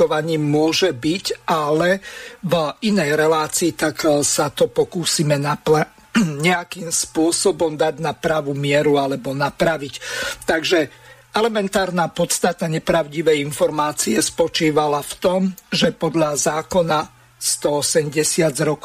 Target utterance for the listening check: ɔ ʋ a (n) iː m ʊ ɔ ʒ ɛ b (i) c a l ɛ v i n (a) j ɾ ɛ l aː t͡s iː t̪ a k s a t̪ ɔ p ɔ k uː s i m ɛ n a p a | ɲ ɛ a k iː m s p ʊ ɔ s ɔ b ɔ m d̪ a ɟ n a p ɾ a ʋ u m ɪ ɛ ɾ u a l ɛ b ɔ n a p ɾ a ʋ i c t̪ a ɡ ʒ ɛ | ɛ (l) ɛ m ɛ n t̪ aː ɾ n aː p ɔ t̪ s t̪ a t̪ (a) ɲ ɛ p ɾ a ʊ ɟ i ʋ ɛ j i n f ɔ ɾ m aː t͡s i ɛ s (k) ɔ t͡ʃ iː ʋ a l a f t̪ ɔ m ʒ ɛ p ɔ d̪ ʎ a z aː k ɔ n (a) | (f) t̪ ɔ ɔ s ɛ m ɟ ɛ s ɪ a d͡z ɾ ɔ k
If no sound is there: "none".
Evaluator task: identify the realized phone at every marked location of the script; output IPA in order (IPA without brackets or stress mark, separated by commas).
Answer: ɲ, i, ɛ, l, a, p, a, s